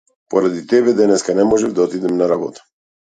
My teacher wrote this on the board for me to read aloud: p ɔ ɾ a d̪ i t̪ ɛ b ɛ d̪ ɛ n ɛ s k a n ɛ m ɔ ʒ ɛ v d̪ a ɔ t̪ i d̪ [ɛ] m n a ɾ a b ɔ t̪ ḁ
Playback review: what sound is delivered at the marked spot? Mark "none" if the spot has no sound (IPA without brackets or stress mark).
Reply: ɛ